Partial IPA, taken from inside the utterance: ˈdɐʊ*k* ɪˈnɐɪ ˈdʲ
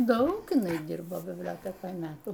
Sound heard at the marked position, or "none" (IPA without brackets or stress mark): k